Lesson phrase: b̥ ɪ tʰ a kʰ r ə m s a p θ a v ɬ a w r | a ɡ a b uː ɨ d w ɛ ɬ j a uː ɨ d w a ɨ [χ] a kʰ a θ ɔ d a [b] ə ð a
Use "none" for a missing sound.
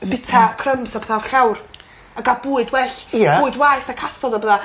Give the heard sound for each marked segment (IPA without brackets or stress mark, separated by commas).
θ, b